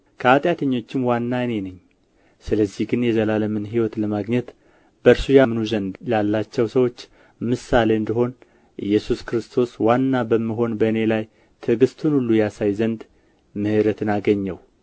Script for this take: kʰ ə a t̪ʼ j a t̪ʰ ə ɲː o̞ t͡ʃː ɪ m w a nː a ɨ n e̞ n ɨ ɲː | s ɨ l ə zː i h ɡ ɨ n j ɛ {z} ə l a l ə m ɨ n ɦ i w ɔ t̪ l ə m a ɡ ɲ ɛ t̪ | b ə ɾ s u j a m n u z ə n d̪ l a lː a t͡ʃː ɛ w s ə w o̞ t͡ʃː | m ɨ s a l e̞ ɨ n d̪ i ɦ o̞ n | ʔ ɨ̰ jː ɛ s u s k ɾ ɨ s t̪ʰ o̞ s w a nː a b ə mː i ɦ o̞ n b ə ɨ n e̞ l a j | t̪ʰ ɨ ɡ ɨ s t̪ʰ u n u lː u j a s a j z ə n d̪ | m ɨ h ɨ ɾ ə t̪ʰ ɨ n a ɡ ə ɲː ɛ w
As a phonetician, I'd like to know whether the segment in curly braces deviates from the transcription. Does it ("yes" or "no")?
no